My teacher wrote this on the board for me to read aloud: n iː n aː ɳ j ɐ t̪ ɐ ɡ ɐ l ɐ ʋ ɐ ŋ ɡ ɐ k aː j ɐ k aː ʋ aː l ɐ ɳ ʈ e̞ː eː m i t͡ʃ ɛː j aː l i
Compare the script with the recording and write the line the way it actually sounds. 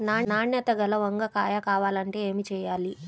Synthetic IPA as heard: n aː n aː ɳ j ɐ t̪ ɐ ɡ ɐ l ɐ ʋ ɐ ŋ ɡ ɐ k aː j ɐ k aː ʋ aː l ɐ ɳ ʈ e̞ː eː m i t͡ʃ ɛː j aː l i